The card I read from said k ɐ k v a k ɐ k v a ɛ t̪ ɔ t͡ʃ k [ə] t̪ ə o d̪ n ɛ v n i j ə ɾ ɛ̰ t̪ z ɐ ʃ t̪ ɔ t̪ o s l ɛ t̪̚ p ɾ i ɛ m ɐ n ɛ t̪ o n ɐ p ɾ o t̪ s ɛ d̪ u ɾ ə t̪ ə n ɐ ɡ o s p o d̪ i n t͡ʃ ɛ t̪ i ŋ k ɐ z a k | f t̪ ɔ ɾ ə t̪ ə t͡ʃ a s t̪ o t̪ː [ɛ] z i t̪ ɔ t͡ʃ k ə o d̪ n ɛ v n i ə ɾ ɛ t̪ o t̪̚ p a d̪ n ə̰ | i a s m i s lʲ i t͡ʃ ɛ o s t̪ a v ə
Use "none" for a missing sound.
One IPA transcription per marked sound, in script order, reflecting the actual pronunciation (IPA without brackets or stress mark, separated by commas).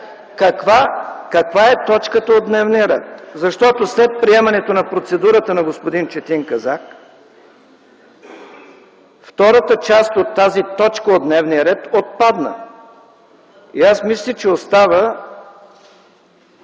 ə, a